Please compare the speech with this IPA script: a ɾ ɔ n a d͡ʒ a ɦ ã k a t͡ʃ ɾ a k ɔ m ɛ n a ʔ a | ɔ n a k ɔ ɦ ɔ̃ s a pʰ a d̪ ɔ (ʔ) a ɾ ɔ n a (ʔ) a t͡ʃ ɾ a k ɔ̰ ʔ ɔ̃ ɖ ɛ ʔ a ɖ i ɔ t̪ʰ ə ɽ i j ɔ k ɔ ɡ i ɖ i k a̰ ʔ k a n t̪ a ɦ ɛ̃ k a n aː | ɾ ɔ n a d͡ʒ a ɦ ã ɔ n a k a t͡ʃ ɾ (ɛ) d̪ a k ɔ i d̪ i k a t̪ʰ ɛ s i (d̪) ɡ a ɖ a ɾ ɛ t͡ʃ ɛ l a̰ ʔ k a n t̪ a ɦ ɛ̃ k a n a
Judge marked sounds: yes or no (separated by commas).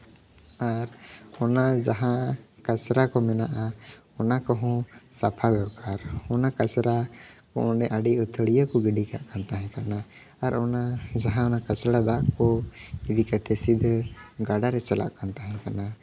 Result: no, no, no, yes